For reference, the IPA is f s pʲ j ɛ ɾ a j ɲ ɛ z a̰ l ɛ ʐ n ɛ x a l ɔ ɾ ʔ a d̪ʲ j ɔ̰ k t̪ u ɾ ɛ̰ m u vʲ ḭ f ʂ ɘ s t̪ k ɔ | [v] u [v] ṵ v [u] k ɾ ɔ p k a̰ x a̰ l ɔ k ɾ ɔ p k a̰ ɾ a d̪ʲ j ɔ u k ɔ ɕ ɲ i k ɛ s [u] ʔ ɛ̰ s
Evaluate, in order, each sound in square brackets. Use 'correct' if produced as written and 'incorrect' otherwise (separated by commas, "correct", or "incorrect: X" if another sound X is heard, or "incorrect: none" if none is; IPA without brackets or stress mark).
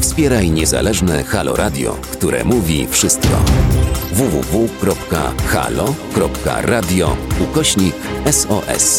correct, correct, correct, incorrect: ɔ